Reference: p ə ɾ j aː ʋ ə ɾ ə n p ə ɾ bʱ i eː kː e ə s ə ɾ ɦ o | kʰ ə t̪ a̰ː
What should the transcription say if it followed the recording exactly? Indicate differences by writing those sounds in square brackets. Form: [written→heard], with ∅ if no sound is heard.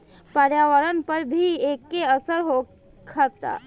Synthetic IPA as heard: p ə ɾ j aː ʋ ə ɾ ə n p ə ɾ bʱ i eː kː e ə s ə ɾ ɦ o | kʰ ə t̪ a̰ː